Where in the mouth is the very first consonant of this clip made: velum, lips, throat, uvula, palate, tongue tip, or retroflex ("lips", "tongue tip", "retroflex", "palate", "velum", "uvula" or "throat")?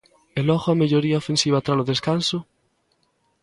tongue tip